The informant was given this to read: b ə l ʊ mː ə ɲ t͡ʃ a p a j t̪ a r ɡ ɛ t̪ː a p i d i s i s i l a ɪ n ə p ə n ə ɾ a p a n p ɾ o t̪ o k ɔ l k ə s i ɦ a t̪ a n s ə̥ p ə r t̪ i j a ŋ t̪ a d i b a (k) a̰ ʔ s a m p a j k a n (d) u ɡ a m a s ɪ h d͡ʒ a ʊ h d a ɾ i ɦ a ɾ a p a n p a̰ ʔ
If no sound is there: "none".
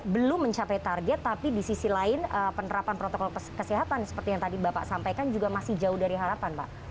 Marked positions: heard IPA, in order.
p, d͡ʒ

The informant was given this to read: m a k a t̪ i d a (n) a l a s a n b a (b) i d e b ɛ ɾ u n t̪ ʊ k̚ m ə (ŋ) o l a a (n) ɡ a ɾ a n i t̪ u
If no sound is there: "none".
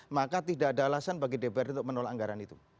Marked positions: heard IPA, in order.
d, ɡ, n, ŋ

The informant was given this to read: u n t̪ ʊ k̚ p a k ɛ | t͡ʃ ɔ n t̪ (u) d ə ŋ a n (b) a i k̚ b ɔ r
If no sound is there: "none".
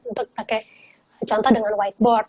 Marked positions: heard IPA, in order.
ɔ, w

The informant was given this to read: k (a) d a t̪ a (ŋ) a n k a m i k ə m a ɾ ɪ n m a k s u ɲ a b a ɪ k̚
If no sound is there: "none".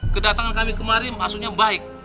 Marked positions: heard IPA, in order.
ə, ŋ

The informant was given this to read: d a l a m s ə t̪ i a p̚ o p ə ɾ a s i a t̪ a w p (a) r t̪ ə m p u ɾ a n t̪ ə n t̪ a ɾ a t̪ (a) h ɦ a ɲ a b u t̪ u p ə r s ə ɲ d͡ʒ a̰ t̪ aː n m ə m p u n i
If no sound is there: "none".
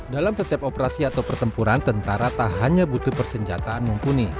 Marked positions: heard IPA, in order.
ə, a

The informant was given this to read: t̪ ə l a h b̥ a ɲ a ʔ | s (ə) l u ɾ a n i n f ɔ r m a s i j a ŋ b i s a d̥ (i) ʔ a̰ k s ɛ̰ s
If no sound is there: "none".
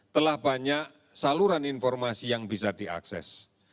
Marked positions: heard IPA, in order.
a, i

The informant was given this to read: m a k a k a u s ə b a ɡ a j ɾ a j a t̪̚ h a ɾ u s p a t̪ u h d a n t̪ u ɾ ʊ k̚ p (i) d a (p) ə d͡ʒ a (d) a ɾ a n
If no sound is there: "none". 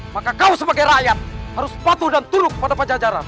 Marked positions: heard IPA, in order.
a, p, d͡ʒ

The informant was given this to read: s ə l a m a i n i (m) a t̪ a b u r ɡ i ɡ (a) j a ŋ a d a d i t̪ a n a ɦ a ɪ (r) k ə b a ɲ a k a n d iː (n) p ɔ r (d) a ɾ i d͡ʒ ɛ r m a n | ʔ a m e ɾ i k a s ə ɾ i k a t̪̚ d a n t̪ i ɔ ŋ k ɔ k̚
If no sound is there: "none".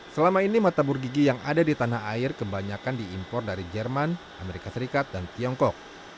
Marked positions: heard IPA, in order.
m, i, r, m, d

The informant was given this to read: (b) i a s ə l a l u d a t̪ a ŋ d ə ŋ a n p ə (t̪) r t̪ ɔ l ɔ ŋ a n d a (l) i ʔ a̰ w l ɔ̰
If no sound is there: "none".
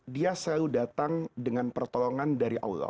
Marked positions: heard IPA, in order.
d, none, ɾ

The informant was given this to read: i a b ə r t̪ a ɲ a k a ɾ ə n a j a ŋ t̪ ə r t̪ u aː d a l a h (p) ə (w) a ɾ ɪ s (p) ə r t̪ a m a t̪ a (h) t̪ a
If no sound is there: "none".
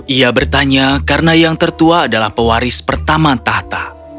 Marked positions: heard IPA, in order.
p, w, p, h

